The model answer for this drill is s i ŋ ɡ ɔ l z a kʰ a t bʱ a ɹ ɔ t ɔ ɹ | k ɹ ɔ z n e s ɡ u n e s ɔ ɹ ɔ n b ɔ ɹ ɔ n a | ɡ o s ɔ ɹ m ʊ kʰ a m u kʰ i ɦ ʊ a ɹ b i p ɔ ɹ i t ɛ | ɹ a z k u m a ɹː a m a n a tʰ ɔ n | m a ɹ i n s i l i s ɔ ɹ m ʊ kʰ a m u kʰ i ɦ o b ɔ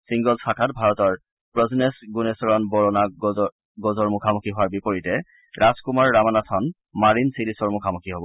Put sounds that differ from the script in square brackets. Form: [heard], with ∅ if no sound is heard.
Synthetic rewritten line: s i ŋ ɡ ɔ l [s] a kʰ a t bʱ a ɹ ɔ t ɔ ɹ | [p] ɹ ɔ z n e s ɡ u n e s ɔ ɹ ɔ n b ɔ ɹ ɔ n a | ɡ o [z] ɔ ɹ m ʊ kʰ a m u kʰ i ɦ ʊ a ɹ b i p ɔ ɹ i t ɛ | ɹ a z k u m a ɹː a m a n a tʰ ɔ n | m a ɹ i n s i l i s ɔ ɹ m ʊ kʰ a m u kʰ i ɦ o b ɔ